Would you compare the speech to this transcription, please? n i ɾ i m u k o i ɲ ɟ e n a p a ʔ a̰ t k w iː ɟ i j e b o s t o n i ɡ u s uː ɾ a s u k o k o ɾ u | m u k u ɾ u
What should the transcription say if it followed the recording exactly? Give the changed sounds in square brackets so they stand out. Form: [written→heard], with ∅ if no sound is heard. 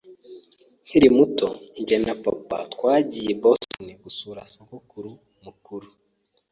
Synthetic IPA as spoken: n i ɾ i m u [k→t] o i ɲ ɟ e n a p a [ʔ→p] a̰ t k w [iː→aː] ɟ i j e b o s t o n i ɡ u s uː ɾ a s [u→o] k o k [o→u] ɾ u | m u k u ɾ u